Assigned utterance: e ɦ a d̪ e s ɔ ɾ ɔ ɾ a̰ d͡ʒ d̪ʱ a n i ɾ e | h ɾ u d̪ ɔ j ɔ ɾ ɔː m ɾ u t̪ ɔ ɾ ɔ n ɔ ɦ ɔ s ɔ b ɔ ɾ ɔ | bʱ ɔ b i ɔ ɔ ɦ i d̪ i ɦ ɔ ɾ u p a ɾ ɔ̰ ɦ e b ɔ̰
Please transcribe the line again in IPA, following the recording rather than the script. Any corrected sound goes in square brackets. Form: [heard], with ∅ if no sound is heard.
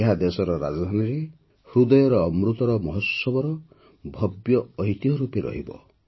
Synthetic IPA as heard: e ɦ a d̪ e s ɔ ɾ ɔ ɾ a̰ d͡ʒ d̪ʱ a n i ɾ e | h ɾ u d̪ ɔ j ɔ ɾ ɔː m ɾ u t̪ ɔ ɾ ɔ [m] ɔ ɦ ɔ s ɔ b ɔ ɾ ɔ | bʱ ɔ b [j] ɔ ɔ ɦ i [t̪] i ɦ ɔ ɾ u p [e] ɾ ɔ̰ ɦ [i] b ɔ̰

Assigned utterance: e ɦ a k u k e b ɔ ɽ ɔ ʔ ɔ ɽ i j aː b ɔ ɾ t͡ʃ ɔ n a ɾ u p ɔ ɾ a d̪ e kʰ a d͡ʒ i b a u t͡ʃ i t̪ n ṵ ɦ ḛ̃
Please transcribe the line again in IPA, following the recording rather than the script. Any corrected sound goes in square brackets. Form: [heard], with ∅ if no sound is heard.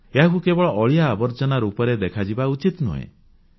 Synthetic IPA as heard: e ɦ a k u k e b ɔ [ɭ] ɔ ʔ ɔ [ɭ] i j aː b ɔ ɾ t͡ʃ ɔ n a ɾ u p ɔ ɾ [e] d̪ e kʰ a d͡ʒ i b a u t͡ʃ i t̪ n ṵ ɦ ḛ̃

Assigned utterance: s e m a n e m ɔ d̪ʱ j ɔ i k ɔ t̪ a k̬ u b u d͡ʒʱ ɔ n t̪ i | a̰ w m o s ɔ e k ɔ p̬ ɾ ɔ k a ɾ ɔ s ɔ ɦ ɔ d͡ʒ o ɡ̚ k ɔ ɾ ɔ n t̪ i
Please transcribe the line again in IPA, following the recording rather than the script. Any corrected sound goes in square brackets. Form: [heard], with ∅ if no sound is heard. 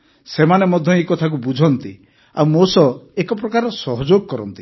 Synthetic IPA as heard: s e m a n e m ɔ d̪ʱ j ɔ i k ɔ [t̪ʰ] a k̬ u b u d͡ʒʱ ɔ n t̪ i | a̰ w m o s ɔ e k ɔ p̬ ɾ ɔ k a ɾ ɔ s ɔ ɦ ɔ d͡ʒ o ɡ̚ k ɔ ɾ ɔ n t̪ i

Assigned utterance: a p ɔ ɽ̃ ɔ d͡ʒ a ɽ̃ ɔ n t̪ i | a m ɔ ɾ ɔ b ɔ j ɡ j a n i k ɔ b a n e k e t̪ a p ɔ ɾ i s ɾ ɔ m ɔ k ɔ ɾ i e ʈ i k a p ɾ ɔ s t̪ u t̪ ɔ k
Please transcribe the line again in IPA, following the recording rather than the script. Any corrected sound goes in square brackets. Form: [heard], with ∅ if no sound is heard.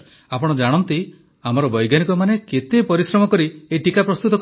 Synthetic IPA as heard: a p ɔ ɽ̃ ɔ d͡ʒ a ɽ̃ ɔ n t̪ i | a m ɔ ɾ ɔ b ɔ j ɡ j a n i k ɔ [m] a n e k e t̪ [e] p ɔ ɾ i s ɾ ɔ m ɔ k ɔ ɾ i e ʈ i k a p ɾ ɔ s t̪ u t̪ ɔ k

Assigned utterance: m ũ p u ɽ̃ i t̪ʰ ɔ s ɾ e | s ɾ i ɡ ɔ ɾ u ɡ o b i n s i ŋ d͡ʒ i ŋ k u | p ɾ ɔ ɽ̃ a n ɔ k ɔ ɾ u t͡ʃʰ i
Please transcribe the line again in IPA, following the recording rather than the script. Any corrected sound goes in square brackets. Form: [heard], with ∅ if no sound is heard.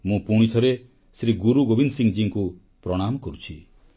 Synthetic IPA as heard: m ũ p u ɽ̃ i t̪ʰ ɔ [∅] ɾ e | s ɾ i ɡ [u] ɾ u ɡ o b i n s i ŋ d͡ʒ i ŋ k u | p ɾ ɔ ɽ̃ a [m] ɔ k ɔ ɾ u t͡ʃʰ i

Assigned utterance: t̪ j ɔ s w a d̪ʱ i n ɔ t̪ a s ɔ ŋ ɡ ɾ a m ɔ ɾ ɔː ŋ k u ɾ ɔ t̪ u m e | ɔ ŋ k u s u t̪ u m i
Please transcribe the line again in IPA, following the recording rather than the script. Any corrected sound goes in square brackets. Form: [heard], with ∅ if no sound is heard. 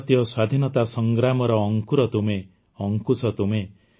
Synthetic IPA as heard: t̪ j ɔ s w a d̪ʱ i n ɔ t̪ a s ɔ ŋ ɡ ɾ a m ɔ ɾ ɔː ŋ k u ɾ ɔ t̪ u m e | ɔ ŋ k u s [ɔ] t̪ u m [e]

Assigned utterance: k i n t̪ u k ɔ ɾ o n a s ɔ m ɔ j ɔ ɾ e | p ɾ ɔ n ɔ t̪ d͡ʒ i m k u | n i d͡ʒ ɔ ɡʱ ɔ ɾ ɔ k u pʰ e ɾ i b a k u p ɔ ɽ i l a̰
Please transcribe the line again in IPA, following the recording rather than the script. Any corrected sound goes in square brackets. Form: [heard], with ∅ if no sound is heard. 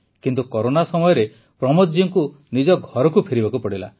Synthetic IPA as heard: k i n t̪ u k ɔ ɾ o n a s ɔ m ɔ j ɔ ɾ e | p ɾ ɔ [m] ɔ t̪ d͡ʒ i [ŋ] k u | n i d͡ʒ ɔ ɡʱ ɔ ɾ ɔ k u pʰ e ɾ i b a k u p ɔ ɽ i l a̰

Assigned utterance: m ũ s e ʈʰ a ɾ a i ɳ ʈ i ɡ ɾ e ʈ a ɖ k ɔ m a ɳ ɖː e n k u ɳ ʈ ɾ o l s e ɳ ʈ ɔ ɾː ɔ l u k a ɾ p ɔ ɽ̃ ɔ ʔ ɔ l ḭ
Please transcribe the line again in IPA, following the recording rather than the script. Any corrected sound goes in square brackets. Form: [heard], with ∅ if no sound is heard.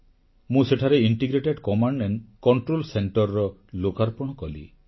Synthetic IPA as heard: m ũ s e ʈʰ a ɾ [e] i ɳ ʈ i ɡ ɾ e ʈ [e] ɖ k ɔ m a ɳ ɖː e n k [ɔ] ɳ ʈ ɾ o l s e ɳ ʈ ɔ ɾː ɔ l [o] k a ɾ p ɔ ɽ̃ ɔ [k] ɔ l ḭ

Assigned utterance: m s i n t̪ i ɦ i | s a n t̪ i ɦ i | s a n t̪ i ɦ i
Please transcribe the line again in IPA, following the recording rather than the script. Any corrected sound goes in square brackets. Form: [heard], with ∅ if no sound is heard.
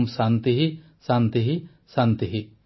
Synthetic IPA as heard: m s [a] n t̪ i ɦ i | s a n t̪ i ɦ i | s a n t̪ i ɦ i

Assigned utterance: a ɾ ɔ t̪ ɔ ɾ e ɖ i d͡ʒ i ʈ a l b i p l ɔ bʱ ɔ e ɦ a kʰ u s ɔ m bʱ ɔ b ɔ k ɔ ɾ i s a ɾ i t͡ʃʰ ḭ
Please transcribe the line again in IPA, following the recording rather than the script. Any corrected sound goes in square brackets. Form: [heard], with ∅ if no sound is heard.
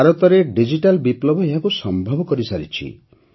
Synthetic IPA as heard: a ɾ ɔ t̪ ɔ ɾ e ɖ i d͡ʒ i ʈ a l b i p l ɔ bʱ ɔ e ɦ a [k] u s ɔ m bʱ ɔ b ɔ k ɔ ɾ i s a ɾ i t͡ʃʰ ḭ

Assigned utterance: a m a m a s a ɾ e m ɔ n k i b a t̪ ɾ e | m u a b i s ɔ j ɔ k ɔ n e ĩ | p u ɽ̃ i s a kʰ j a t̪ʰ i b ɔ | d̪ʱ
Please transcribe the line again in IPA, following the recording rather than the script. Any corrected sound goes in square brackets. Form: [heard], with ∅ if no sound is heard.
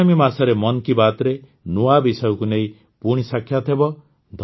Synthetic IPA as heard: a m [i] m a s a ɾ e m ɔ n k i b a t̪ ɾ e | [n] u a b i s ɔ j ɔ k [u] n e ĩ | p u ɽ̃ i s a kʰ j a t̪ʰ [e] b ɔ | d̪ʱ

